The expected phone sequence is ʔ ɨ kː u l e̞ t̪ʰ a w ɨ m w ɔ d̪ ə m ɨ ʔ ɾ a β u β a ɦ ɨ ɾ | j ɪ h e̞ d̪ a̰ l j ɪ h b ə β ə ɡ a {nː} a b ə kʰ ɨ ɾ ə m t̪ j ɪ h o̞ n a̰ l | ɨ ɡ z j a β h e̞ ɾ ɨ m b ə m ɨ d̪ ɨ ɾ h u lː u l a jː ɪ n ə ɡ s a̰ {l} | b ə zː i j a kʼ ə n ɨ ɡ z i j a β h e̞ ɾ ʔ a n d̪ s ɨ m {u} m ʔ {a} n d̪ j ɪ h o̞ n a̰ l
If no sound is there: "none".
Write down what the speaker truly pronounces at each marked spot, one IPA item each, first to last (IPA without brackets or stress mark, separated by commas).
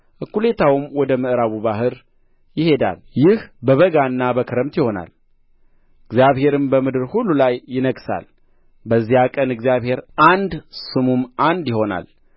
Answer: nː, l, u, a